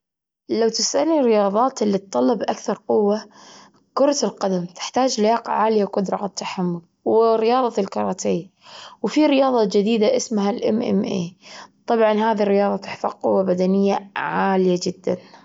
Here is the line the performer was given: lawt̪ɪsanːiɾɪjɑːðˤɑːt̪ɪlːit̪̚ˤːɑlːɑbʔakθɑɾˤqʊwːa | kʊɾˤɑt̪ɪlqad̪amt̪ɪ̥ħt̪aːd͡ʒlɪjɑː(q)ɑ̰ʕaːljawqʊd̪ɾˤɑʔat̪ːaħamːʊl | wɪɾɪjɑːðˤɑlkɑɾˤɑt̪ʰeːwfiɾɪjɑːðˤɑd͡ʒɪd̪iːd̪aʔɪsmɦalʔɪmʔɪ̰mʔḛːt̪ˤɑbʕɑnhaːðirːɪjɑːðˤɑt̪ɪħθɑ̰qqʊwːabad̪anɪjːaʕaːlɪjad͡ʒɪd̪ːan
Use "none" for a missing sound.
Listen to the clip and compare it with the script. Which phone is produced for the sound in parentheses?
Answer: q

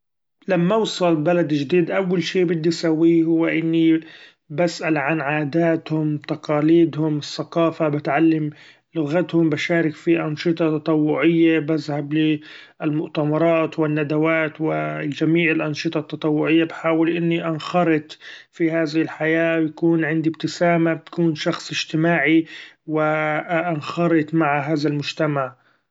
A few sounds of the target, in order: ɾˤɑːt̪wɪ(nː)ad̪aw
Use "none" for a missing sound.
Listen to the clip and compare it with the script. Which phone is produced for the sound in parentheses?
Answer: nː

